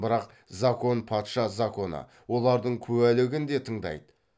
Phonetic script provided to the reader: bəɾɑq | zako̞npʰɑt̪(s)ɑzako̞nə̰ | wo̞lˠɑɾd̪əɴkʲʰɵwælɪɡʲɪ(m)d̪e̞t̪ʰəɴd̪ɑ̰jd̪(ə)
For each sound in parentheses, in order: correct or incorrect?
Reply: incorrect: ʃ, incorrect: n, correct

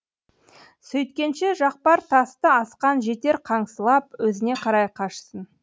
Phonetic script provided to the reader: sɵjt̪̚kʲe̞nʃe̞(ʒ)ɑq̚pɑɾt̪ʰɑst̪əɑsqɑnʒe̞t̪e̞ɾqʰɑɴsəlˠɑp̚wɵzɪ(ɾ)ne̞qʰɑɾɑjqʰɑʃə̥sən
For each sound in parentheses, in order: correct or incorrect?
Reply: correct, incorrect: none

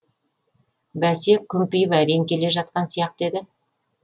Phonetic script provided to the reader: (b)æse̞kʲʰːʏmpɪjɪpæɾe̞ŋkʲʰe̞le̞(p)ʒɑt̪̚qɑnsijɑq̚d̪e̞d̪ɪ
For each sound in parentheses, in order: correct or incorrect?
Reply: correct, incorrect: none

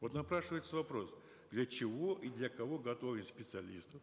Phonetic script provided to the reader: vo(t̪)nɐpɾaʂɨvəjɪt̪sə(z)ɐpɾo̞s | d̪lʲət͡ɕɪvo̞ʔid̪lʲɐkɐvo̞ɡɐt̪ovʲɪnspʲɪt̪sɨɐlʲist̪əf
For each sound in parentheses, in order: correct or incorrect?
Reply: correct, incorrect: v

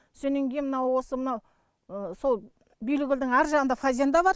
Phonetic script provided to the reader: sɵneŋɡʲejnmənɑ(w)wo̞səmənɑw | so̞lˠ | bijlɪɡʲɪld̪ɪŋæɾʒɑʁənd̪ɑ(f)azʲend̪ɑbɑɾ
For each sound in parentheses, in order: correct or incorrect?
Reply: correct, correct

